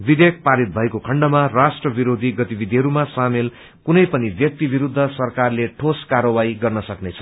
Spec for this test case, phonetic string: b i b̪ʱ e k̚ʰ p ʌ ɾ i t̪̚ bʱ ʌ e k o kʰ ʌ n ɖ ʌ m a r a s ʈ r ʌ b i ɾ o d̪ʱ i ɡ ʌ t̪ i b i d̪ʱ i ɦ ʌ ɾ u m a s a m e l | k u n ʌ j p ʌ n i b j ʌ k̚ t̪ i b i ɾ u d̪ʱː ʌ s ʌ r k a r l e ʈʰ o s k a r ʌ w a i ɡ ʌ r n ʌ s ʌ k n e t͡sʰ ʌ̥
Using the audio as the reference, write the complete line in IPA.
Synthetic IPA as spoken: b i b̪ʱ e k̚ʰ p a ɾ i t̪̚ bʱ ʌ e k o kʰ ʌ ɳ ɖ ʌ m a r a s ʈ r ʌ b i ɾ o d̪ʱ i ɡ ʌ t̪ i b i d̪ʱ i ɦ ʌ ɾ u m a s a m e l | k u n ʌ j p ʌ n i b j ʌ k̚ t̪ i b i ɾ u d̪ʱː ʌ s ʌ r k a r l e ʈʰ o s k a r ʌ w a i ɡ ʌ r n ʌ s ʌ k n e t͡sʰ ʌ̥

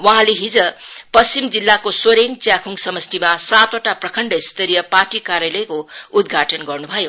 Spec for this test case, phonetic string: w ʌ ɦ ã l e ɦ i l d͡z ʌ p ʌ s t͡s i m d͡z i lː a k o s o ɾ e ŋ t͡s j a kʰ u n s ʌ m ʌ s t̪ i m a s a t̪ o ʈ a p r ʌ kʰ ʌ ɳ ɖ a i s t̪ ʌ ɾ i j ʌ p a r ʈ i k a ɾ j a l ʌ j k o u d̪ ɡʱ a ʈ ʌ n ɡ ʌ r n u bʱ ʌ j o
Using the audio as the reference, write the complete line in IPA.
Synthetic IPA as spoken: w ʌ ɦ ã l e ɦ i d͡z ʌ p ʌ s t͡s i m d͡z i lː a k o s o ɾ e ŋ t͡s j a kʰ u ŋ s ʌ m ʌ s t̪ i m a s a t̪ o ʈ a p r ʌ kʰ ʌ ɳ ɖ ʌ i s t̪ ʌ ɾ i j ʌ p a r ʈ i k a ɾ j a l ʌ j k o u d̪ ɡʱ a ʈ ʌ n ɡ ʌ r n u bʱ ʌ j o

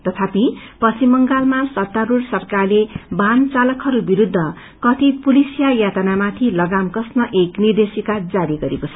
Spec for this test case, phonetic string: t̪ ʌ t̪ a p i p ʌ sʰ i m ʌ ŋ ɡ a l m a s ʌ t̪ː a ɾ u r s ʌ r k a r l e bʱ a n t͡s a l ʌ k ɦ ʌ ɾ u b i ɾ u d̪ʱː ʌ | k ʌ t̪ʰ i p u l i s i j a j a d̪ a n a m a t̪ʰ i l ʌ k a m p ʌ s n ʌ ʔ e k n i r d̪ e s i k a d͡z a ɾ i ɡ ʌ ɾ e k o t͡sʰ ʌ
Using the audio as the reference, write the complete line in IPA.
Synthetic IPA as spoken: t̪ ʌ t̪ʰ a p i p ʌ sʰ i m ʌ ŋ ɡ a l m a s ʌ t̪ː a ɾ u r s ʌ r k a r l e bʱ a n t͡s a l ʌ k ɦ ʌ ɾ u b i ɾ u d̪ʱː ʌ | k ʌ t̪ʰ i p u l i s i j a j a t̪ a n a m a t̪ʰ i l ʌ ɡ a m k ʌ s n ʌ ʔ e k n i r d̪ e s i k a d͡z a ɾ i ɡ ʌ ɾ e k o t͡sʰ ʌ

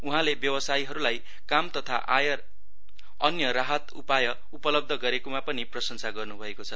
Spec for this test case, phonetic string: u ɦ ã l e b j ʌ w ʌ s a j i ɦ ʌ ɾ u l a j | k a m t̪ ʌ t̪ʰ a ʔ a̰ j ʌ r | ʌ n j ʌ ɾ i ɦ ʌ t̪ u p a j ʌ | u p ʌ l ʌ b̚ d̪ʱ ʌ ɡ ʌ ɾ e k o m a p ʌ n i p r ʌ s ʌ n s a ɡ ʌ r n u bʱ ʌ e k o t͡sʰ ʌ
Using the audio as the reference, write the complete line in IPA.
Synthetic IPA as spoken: u ɦ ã l e b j ʌ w ʌ s a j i ɦ ʌ ɾ u l a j | k a m t̪ ʌ t̪ʰ a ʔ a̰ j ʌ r | ʌ n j ʌ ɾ a ɦ ʌ t̪ u p a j ʌ | u p ʌ l ʌ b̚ d̪ʱ ʌ ɡ ʌ ɾ e k o m a p ʌ n i p r ʌ s ʌ n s a ɡ ʌ r n u bʱ ʌ e k o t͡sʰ ʌ

